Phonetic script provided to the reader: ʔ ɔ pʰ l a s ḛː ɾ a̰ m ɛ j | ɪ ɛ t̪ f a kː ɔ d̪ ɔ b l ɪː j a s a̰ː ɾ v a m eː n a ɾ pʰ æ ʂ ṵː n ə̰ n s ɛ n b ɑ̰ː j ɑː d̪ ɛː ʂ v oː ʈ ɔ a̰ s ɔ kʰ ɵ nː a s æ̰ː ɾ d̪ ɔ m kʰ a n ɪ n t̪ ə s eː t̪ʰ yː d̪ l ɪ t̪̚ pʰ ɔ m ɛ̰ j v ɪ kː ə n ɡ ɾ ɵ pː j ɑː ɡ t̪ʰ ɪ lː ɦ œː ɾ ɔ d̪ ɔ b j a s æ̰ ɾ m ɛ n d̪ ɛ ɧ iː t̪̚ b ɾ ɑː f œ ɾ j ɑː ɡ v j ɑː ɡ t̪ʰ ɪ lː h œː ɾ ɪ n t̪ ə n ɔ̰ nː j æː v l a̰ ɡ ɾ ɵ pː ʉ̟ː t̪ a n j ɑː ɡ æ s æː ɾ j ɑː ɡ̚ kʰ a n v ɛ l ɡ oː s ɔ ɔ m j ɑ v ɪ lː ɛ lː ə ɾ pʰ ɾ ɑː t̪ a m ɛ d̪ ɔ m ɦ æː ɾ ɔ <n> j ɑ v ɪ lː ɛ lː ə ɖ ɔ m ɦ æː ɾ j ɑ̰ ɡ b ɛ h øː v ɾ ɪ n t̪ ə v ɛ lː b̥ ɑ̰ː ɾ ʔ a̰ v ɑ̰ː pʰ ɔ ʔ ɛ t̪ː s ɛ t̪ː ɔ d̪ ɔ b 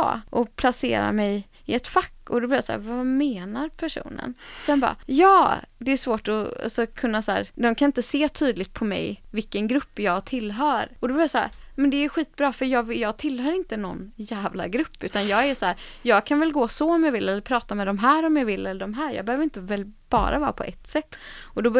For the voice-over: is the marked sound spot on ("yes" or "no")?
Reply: no